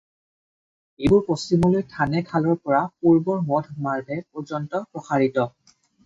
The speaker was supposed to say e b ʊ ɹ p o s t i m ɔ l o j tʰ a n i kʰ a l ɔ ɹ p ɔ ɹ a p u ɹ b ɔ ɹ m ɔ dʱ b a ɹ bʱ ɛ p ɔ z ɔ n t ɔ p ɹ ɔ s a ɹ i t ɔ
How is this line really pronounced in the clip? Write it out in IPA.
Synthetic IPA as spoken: e b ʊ ɹ p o s t i m ɔ l o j tʰ a n ɛ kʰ a l ɔ ɹ p ɔ ɹ a p u ɹ b ɔ ɹ m ɔ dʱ m a ɹ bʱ ɛ p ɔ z ɔ n t ɔ p ɹ ɔ x a ɹ i t ɔ